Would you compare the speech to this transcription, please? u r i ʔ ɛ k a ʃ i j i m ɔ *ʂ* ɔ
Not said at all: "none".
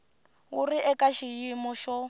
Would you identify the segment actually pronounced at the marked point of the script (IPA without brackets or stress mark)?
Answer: ʃ